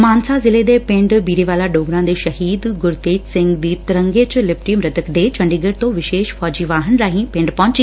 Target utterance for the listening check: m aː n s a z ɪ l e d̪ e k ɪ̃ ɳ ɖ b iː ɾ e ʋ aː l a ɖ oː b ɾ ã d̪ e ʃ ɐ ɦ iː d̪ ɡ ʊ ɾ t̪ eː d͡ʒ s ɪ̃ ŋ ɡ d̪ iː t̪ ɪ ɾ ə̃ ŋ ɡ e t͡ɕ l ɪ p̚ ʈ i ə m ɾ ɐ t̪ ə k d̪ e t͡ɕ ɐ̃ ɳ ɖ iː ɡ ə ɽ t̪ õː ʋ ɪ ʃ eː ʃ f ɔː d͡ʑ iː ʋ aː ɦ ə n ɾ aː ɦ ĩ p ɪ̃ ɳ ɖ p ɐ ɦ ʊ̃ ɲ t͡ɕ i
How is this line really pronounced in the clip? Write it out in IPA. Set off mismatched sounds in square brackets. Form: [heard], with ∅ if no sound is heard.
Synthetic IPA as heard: m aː n s a z ɪ l e d̪ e [p] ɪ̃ ɳ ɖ b iː ɾ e ʋ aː l a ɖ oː [ɡ] ɾ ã d̪ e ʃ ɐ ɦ iː d̪ ɡ ʊ ɾ t̪ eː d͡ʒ s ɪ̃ ŋ ɡ d̪ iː t̪ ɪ ɾ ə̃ ŋ ɡ e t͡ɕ l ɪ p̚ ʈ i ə m ɾ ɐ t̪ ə k d̪ e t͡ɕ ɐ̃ ɳ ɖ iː ɡ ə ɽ t̪ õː ʋ ɪ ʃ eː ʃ f ɔː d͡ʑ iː ʋ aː ɦ ə n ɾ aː ɦ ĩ p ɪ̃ ɳ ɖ p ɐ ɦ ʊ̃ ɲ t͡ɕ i